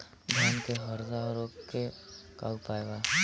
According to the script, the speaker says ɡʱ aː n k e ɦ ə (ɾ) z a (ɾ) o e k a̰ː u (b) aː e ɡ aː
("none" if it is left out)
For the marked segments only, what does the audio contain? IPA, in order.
ɾ, ɾ, p

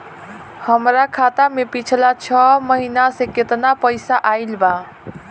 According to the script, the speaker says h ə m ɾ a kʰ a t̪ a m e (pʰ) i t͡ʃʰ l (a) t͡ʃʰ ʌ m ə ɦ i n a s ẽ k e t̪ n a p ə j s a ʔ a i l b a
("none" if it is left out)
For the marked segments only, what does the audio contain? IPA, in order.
p, a

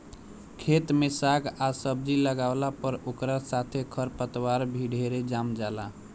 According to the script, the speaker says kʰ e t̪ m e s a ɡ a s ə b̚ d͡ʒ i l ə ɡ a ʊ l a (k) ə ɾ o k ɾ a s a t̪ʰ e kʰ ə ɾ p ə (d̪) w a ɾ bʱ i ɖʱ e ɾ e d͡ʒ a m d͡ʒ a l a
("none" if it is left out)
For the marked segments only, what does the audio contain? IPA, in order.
p, t̪

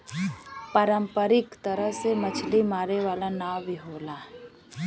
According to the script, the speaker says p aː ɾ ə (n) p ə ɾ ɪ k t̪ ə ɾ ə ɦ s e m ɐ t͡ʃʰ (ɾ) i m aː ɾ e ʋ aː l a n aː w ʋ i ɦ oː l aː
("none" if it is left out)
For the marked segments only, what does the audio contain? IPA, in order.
m, l

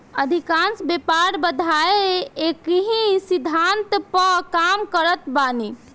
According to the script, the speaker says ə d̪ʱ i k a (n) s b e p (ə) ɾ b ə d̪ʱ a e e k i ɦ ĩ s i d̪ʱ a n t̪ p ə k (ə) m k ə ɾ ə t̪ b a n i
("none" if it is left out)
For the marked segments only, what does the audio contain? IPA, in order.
n, a, a

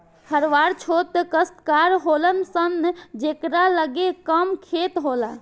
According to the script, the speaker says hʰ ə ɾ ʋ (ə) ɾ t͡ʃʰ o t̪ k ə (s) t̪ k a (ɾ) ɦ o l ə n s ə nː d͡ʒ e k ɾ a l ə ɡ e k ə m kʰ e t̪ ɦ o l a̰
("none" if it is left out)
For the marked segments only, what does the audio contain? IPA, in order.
a, s, ɾ

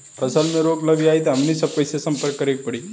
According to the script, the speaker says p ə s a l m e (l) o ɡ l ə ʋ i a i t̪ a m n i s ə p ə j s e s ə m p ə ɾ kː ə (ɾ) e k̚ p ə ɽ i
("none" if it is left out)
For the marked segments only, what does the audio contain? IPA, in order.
ɾ, ɾ

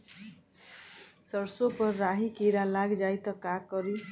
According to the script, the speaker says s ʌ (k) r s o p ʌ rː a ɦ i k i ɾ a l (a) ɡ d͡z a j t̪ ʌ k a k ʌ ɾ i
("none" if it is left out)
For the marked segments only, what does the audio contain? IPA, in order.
none, a

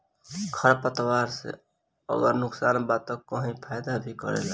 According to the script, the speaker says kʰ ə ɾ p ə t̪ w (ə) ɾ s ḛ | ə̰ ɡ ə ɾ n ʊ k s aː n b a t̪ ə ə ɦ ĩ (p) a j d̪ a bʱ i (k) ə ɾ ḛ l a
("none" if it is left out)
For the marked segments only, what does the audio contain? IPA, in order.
a, pʰ, k

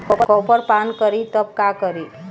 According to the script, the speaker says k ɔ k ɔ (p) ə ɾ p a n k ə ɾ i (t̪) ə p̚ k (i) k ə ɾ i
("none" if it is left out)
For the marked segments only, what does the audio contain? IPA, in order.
p, t̪, a

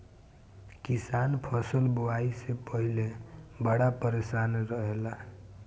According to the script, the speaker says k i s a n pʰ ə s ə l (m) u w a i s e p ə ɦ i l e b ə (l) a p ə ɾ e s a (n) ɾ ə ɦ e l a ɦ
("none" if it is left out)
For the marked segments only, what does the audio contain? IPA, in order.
b, ɽ, n

